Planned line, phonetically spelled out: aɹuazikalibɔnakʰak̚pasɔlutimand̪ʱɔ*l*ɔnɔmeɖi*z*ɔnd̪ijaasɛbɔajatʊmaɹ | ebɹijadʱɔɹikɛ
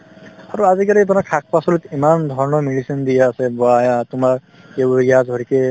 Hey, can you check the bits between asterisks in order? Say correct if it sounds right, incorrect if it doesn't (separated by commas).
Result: incorrect, incorrect